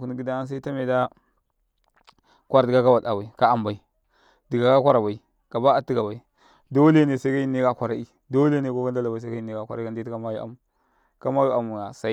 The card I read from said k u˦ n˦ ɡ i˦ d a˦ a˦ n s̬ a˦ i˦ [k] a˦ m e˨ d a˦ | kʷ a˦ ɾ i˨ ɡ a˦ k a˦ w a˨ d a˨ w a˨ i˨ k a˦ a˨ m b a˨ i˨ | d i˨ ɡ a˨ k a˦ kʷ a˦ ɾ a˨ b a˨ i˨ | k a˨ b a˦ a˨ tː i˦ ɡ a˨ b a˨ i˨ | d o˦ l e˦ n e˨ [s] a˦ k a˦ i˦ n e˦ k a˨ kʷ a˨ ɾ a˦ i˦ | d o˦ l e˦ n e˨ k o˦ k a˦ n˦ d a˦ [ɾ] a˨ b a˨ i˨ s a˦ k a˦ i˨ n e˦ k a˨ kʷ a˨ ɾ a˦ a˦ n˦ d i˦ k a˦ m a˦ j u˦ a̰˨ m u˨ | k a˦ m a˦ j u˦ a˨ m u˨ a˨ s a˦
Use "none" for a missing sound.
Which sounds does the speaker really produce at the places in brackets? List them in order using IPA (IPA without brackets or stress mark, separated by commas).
t, s, l